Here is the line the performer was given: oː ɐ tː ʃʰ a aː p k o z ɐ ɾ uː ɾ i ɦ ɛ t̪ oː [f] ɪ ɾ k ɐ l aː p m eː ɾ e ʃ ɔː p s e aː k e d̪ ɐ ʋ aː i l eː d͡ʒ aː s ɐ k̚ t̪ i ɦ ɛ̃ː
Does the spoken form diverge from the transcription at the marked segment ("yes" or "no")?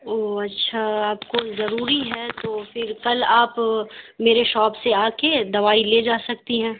no